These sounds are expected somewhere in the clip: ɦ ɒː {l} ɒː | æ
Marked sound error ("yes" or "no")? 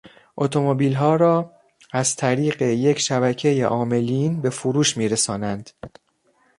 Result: yes